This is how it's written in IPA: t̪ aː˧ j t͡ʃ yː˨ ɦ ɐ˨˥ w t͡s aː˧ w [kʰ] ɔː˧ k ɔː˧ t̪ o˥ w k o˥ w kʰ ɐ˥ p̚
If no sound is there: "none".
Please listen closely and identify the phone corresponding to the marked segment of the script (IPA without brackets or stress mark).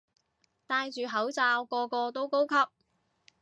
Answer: k